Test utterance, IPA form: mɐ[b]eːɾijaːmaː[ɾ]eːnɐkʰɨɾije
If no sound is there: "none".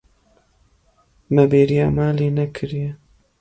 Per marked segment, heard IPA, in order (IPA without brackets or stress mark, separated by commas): b, l